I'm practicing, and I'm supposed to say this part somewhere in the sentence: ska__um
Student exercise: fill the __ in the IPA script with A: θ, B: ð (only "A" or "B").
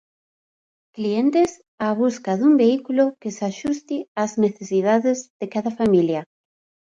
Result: B